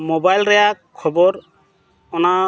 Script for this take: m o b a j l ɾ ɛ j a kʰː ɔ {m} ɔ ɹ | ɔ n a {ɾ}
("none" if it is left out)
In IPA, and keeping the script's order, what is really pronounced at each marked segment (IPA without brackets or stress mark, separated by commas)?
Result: b, none